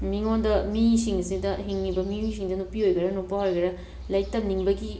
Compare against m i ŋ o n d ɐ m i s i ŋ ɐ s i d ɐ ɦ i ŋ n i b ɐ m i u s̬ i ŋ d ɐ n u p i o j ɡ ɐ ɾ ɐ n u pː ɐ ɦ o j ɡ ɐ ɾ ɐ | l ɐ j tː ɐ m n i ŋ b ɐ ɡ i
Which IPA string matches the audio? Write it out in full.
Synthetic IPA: m i ŋ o n d ɐ m i s i ŋ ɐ s i d ɐ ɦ i ŋ n i b ɐ m i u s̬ i ŋ d ɐ n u p i o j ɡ ɐ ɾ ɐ n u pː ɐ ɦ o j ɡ ɐ ɾ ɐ | l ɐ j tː ɐ m n i ŋ b ɐ ɡ i